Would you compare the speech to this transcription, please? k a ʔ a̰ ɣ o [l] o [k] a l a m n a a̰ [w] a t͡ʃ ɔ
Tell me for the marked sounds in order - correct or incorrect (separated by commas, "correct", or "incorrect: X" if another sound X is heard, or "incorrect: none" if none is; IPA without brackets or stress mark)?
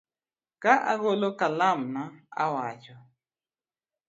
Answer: correct, correct, correct